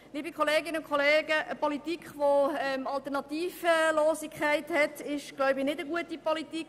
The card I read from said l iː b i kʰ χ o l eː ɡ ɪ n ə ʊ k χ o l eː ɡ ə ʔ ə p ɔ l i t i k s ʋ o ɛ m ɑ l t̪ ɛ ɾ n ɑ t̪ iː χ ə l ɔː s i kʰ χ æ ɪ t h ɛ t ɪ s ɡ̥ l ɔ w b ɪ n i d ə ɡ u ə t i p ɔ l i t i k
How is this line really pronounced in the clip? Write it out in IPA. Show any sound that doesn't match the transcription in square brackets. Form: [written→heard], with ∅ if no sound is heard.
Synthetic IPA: l iː b i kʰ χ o l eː ɡ ɪ n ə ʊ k χ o l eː ɡ ə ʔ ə p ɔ l i t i k [s→χ] ʋ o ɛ m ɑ l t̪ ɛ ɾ n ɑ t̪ iː [χ→f] ə l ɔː s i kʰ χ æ ɪ t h ɛ t ɪ [s→ʃ] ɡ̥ l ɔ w b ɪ n [i→ɪ] d ə ɡ u ə t i p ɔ l i t i k